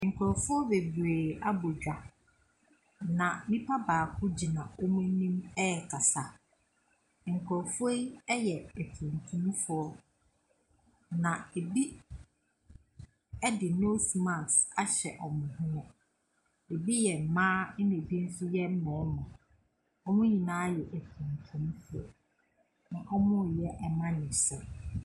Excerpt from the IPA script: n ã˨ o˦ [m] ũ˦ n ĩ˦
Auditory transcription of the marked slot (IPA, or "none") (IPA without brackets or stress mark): m